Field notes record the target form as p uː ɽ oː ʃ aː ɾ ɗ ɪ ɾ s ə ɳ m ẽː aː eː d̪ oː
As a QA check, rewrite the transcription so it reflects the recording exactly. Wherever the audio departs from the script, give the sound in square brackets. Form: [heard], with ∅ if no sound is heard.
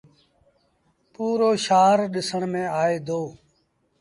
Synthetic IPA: p uː [ɾ] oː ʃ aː ɾ ɗ ɪ [∅] s ə ɳ m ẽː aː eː d̪ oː